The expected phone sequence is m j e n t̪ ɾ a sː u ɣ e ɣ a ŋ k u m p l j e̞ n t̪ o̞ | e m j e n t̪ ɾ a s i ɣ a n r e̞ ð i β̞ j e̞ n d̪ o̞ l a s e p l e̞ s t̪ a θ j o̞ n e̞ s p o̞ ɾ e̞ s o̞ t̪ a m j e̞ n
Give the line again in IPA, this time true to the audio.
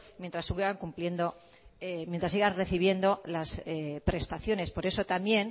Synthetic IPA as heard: m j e n t̪ ɾ a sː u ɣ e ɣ a ŋ k u m p l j e̞ n d̪ o̞ | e m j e n t̪ ɾ a s i ɣ a n r e̞ θ i β̞ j e̞ n d̪ o̞ l a s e p ɾ e̞ s t̪ a θ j o̞ n e̞ s p o̞ ɾ e̞ s o̞ t̪ a m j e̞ n